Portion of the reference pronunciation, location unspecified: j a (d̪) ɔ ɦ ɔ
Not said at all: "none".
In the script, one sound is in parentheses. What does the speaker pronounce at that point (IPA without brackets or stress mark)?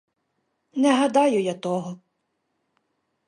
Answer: t̪